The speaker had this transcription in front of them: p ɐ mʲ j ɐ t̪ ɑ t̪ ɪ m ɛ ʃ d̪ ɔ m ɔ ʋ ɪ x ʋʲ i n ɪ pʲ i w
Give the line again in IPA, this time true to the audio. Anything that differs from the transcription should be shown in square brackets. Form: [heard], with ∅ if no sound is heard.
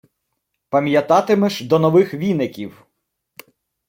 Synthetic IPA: p ɐ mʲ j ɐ t̪ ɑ t̪ ɪ m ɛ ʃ d̪ ɔ [n] ɔ ʋ ɪ x ʋʲ i n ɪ [kʲ] i w